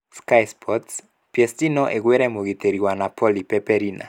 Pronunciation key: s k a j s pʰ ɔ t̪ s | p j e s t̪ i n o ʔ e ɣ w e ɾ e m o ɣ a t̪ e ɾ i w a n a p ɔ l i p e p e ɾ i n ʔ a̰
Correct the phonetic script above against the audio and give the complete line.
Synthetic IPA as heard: s k a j s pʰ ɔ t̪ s | p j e s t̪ i n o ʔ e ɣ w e ɾ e m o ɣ i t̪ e ɾ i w a n a p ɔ l i p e p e ɾ i n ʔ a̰